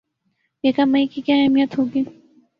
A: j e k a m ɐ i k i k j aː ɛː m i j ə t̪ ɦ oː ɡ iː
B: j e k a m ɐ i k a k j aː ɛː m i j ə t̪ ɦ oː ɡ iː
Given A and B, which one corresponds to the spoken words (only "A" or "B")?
A